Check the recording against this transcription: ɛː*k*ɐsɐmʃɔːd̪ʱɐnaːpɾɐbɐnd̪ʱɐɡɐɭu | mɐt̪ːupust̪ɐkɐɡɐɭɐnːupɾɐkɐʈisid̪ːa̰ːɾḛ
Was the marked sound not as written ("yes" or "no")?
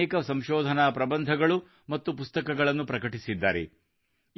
no